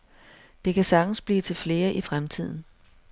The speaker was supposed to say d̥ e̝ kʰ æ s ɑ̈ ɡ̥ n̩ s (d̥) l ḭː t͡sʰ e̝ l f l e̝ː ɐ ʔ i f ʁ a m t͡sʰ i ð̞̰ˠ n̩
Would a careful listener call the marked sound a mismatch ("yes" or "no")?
yes